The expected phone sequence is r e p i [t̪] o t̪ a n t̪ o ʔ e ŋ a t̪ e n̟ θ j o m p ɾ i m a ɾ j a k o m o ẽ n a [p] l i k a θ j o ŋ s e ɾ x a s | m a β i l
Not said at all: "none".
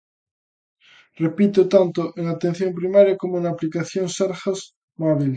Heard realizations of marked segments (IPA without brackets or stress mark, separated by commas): t̪, p